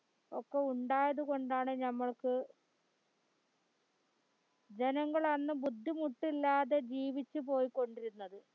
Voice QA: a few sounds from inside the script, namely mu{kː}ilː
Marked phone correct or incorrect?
incorrect